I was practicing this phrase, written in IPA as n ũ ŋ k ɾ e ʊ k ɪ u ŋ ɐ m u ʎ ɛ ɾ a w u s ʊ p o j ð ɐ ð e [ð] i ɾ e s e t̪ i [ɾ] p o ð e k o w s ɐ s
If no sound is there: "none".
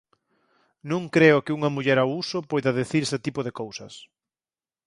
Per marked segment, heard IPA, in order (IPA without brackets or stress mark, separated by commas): θ, none